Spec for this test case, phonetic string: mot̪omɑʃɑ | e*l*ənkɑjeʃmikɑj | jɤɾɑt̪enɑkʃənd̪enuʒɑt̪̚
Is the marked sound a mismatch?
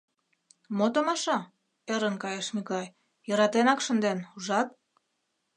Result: yes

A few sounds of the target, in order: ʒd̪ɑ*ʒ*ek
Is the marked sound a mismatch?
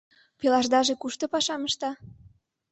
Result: no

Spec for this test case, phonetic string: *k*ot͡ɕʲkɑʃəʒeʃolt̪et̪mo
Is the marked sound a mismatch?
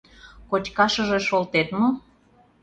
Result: no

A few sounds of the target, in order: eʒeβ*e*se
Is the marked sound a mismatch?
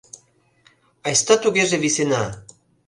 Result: yes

